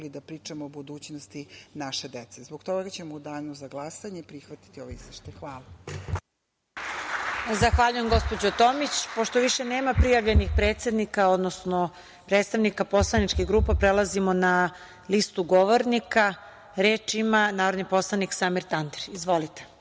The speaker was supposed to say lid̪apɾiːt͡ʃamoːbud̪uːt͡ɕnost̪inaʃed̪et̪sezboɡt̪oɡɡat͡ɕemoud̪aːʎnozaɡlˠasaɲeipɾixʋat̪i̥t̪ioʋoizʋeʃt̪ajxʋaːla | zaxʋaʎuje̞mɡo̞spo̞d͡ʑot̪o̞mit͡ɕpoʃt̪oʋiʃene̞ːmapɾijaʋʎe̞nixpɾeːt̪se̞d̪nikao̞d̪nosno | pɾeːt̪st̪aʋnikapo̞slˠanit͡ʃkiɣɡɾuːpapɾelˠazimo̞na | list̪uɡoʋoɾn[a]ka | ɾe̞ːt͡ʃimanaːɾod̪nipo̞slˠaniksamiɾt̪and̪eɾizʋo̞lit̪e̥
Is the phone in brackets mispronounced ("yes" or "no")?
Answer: yes